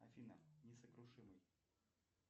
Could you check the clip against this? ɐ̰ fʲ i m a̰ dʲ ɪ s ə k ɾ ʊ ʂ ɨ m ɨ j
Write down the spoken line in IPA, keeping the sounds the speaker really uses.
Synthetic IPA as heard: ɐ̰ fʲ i n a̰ nʲ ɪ s ə k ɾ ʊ ʂ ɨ m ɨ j